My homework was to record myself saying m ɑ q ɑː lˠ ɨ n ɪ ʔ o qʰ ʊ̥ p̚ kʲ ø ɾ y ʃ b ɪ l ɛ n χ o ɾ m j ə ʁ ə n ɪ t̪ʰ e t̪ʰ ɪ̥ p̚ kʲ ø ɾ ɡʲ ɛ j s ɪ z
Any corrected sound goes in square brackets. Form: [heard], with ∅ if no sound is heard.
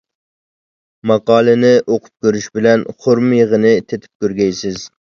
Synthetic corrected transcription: m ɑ q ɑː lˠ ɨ n ɪ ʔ o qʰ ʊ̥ p̚ kʲ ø ɾ y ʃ b ɪ l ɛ n χ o ɾ m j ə ʁ ə n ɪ t̪ʰ e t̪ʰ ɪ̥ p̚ kʲ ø ɾ ɡʲ ɛ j s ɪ z